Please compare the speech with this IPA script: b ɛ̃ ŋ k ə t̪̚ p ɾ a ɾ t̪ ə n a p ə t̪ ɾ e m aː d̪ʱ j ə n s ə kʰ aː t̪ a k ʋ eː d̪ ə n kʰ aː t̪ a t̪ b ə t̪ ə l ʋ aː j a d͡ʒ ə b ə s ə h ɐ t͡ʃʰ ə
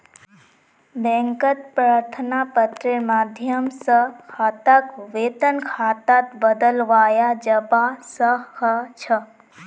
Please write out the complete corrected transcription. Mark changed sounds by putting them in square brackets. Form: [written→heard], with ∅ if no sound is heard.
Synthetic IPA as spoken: b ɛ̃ ŋ k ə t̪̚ p ɾ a ɾ [t̪→t̪ʰ] ə n a p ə t̪ ɾ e m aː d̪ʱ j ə [n→m] s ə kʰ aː t̪ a k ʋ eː [d̪→t̪] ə n kʰ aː t̪ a t̪ b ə [t̪→d̪] ə l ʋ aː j a d͡ʒ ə b [ə→a] s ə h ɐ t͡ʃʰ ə